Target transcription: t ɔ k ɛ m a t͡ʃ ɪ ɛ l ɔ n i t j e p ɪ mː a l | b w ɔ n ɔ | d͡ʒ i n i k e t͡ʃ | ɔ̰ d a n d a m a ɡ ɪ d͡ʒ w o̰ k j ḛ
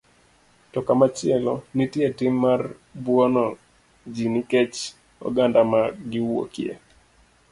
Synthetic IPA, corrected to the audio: t ɔ k a m a t͡ʃ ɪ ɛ l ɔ n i t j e t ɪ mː a r | b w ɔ n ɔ | d͡ʒ i n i k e t͡ʃ | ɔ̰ ɡ a n d a m a ɡ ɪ w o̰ k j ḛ